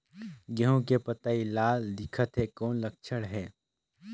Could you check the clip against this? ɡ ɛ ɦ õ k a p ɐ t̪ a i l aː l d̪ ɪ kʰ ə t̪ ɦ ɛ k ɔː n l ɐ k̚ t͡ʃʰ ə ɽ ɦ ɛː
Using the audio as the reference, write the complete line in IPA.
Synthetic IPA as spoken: ɡ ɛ ɦ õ k e p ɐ t̪ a i l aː l d̪ ɪ kʰ ə t̪ ɦ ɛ k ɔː n l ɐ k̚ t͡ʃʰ ə ɽ ɦ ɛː